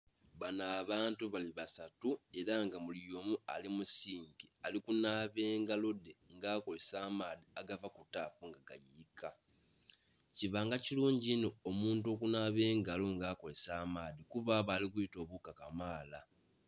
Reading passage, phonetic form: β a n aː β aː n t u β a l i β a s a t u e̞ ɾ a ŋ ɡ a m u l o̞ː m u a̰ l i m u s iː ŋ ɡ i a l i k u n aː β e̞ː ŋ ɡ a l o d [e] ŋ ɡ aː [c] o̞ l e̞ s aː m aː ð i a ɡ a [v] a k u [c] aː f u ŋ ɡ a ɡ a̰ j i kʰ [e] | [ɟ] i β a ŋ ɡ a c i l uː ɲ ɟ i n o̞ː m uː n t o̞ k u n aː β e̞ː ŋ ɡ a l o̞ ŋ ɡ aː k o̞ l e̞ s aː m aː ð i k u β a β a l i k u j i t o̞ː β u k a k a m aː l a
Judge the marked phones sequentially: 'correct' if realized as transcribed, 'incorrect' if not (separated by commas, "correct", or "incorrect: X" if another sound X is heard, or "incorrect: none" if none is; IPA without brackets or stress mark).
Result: correct, incorrect: k, correct, incorrect: t, incorrect: a, incorrect: c